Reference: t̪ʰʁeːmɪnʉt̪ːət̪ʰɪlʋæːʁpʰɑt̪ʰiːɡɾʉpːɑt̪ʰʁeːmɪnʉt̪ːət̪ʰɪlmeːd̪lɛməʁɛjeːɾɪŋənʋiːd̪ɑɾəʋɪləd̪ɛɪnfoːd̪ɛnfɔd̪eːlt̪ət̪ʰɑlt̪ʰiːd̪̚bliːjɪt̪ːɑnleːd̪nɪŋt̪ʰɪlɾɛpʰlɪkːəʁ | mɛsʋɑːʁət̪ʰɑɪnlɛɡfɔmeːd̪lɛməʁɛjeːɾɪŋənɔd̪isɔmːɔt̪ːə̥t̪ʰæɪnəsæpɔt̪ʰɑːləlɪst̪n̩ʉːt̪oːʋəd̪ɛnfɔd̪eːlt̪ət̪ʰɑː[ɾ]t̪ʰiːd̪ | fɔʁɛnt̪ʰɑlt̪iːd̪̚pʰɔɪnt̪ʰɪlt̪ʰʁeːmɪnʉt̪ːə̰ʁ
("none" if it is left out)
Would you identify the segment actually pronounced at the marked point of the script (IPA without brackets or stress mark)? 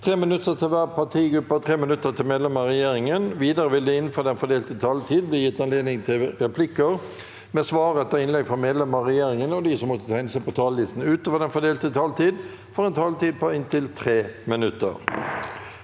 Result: l